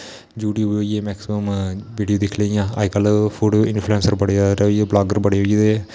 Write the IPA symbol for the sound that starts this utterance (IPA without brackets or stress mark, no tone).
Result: d͡ʒ